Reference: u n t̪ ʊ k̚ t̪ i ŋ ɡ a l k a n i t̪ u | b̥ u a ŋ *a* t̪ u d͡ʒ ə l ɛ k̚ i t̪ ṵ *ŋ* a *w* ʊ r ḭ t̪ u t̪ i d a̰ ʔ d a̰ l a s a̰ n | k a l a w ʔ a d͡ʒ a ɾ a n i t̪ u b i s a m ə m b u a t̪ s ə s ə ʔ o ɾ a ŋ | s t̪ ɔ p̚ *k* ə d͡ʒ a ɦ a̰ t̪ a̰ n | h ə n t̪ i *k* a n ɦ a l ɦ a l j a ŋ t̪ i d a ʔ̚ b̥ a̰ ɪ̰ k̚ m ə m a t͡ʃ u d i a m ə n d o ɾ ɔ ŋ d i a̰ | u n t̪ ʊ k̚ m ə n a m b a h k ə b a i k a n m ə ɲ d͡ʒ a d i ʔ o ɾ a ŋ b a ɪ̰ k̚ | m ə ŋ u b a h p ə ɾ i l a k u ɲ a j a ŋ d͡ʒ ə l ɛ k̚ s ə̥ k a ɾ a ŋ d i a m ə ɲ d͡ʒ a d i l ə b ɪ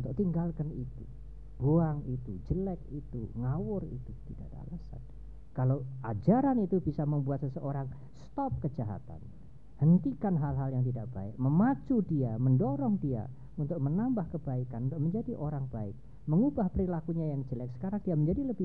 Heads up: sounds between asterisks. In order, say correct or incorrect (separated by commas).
incorrect, correct, correct, correct, correct